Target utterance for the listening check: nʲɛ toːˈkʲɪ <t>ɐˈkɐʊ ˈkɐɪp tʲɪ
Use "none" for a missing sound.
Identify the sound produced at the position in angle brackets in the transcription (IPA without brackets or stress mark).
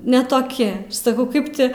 s